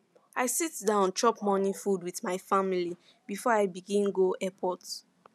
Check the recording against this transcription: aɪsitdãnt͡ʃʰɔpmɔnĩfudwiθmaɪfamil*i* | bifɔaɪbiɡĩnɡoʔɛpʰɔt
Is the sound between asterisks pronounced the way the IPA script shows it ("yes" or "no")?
yes